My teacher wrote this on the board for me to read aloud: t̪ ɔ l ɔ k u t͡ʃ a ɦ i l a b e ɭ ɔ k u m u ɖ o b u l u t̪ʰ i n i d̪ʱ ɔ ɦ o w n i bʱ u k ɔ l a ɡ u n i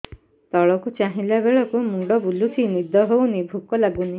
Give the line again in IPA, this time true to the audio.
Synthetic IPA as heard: t̪ ɔ ɭ ɔ k u t͡ʃ a ɦ i l a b e ɭ ɔ k u m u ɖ ɔ b u l u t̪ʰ i n i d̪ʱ ɔ ɦ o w n i bʱ u k ɔ l a ɡ u n i

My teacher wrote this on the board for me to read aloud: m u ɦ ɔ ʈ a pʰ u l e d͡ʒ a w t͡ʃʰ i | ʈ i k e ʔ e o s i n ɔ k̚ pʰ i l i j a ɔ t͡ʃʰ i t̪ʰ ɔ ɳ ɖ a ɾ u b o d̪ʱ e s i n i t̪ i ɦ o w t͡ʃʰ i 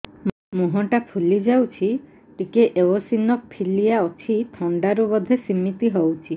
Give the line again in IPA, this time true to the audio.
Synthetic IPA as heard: m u ɦ ɔ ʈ a pʰ u l i d͡ʒ a w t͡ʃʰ i | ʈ i k e ʔ e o s i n ɔ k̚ pʰ i l i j a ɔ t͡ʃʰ i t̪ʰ ɔ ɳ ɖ a ɾ u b ɔ d̪ʱ e s i m i t̪ i ɦ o w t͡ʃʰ i

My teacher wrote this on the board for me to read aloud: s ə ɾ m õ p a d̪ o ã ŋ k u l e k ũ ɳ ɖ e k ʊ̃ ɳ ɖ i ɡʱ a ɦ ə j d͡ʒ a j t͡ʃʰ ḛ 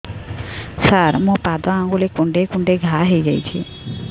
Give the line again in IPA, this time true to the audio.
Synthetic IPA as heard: s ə ɾ m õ p a d̪ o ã ŋ ɡ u l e k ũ ɳ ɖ e k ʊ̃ ɳ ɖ e ɡʱ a ɦ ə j d͡ʒ a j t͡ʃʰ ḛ

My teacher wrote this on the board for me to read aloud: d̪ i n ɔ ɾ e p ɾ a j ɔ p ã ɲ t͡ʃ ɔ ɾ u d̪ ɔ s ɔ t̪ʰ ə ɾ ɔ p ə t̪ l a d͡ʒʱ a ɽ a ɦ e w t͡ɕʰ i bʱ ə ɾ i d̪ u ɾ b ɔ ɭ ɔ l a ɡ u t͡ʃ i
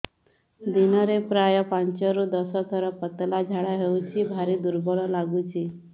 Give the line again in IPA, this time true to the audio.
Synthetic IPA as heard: d̪ i n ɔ ɾ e p ɾ a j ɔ p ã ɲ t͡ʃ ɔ ɾ u d̪ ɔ s ɔ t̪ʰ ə ɾ ɔ p ə t̪ l a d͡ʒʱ a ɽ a ɦ e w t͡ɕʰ i bʱ a ɾ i d̪ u ɾ b ɔ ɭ ɔ l a ɡ u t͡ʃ i

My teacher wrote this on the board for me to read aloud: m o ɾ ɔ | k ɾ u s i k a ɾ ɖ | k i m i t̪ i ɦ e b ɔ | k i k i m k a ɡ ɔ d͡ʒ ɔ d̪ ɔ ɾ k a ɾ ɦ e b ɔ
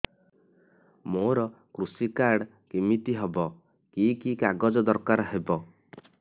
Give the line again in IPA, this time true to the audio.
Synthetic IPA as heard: m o ɾ ɔ | k ɾ u s i k a ɾ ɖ | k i m i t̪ i ɦ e b ɔ | k i k i k a ɡ ɔ d͡ʒ ɔ d̪ ɔ ɾ k a ɾ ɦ e b ɔ

